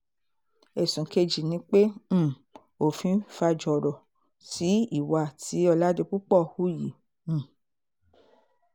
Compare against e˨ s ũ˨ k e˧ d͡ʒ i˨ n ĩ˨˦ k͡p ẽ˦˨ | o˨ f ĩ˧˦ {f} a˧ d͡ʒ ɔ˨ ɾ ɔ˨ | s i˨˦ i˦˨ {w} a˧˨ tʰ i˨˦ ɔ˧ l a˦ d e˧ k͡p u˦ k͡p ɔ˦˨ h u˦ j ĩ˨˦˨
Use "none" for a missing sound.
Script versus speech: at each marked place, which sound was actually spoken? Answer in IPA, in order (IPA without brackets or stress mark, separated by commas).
f, w